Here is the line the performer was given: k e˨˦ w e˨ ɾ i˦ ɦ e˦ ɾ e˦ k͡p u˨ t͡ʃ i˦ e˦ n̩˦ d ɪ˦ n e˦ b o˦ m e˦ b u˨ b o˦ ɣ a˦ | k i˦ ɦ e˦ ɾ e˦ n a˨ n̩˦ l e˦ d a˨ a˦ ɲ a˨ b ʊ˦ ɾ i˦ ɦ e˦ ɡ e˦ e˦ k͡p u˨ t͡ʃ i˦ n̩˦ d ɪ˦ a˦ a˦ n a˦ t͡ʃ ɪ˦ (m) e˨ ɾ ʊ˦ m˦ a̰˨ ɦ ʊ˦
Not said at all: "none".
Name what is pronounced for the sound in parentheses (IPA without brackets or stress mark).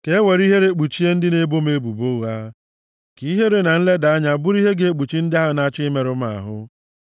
m